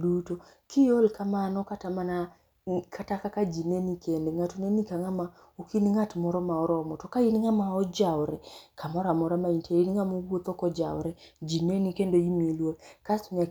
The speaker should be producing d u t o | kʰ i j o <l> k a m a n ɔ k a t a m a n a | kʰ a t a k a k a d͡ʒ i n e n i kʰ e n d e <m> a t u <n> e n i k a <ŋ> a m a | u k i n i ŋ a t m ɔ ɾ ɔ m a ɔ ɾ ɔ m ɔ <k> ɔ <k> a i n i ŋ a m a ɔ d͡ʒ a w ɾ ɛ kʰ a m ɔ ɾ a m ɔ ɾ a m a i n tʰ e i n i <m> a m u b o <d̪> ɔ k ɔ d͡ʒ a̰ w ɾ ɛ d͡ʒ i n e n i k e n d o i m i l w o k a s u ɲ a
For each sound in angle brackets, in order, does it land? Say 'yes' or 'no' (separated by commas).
yes, no, yes, yes, no, yes, no, no